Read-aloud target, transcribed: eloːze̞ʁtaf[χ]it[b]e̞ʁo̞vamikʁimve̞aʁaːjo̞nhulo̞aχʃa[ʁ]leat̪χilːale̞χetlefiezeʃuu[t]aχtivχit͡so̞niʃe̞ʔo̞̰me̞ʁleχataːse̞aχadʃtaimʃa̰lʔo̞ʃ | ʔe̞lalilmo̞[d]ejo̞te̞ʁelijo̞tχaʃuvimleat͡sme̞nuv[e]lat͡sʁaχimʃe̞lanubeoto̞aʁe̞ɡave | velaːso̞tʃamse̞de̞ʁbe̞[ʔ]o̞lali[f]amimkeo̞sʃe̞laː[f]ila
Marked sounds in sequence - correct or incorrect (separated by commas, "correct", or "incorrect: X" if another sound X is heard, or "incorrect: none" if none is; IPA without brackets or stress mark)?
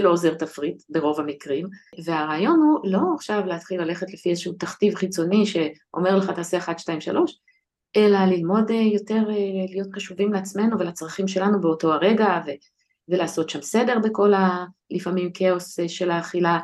incorrect: ʁ, correct, incorrect: v, correct, correct, correct, incorrect: k, correct, incorrect: χ